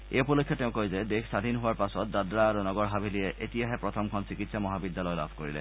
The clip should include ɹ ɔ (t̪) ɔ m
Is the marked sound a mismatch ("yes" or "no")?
yes